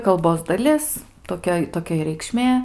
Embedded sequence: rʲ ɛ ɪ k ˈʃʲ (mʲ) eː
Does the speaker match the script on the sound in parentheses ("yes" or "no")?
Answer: yes